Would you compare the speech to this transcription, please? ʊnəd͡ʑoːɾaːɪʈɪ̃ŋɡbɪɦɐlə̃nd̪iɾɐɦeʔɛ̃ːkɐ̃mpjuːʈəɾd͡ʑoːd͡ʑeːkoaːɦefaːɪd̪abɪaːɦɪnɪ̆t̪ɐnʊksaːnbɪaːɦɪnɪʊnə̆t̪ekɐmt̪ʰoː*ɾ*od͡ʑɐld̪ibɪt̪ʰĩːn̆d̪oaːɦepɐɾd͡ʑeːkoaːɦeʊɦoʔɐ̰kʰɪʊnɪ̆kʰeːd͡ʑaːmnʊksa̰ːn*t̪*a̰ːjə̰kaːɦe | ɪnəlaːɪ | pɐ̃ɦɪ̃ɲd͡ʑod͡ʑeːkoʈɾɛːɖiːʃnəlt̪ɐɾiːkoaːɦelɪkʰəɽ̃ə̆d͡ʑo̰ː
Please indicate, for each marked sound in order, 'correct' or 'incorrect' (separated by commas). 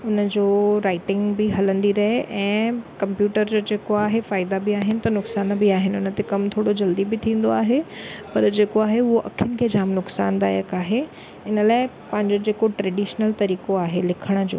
incorrect, incorrect